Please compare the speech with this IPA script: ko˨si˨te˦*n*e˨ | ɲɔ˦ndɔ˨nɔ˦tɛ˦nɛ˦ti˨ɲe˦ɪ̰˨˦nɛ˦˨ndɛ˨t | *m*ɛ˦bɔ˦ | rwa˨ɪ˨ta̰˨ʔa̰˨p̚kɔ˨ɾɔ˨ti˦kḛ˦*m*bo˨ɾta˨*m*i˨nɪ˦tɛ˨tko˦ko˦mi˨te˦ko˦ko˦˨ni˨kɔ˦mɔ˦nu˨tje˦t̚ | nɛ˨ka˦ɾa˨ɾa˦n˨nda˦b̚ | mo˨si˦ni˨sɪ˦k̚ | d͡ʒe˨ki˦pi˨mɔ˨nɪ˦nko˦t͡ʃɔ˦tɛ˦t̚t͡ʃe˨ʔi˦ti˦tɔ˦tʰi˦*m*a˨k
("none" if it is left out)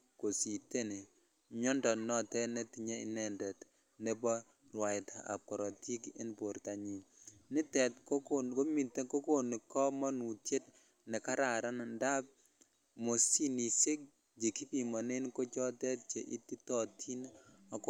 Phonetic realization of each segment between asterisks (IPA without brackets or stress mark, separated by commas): n, n, n, ɲ, n